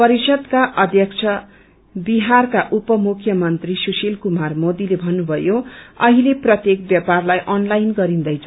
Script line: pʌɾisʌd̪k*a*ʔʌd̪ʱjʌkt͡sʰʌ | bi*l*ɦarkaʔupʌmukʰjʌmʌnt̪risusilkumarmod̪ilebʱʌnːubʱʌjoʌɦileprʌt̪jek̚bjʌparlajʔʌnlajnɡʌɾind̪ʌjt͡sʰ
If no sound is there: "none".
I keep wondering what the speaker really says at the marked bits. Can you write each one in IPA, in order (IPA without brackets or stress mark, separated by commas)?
a, none